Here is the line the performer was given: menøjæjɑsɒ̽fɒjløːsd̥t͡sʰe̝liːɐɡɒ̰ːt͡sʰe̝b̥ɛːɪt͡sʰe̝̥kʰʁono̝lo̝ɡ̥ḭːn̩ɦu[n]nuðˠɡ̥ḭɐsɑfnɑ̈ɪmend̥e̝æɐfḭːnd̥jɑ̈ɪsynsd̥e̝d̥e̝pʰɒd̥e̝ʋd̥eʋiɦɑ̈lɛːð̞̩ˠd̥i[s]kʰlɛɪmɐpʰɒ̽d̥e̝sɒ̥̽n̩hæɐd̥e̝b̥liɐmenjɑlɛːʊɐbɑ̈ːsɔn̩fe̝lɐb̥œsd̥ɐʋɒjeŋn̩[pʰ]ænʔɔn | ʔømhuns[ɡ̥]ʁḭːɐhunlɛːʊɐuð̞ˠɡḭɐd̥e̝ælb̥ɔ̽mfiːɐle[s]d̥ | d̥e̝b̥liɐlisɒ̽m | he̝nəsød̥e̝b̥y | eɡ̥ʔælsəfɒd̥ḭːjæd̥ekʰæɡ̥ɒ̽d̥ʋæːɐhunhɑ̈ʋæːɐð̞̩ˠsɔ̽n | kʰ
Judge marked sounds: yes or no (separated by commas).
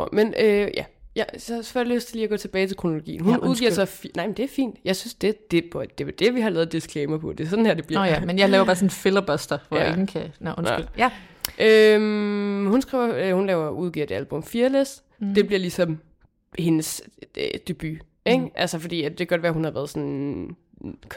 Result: yes, yes, no, yes, yes